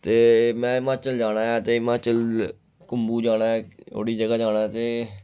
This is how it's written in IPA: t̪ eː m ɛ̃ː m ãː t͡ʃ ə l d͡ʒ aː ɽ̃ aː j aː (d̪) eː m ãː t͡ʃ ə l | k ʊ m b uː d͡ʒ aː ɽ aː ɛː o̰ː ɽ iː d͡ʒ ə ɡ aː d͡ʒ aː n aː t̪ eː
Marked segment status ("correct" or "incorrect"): incorrect